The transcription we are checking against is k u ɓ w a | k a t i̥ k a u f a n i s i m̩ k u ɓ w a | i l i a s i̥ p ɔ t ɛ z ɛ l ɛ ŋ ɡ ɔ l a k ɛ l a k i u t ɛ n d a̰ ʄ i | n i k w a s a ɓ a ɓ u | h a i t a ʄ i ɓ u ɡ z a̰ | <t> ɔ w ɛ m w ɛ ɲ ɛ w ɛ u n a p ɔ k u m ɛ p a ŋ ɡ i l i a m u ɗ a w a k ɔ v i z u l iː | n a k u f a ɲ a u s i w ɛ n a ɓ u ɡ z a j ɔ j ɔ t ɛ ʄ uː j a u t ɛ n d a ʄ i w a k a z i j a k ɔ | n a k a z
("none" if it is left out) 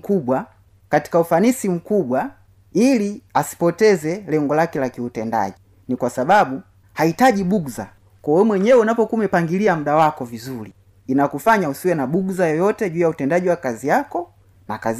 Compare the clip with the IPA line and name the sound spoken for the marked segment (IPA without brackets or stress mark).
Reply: k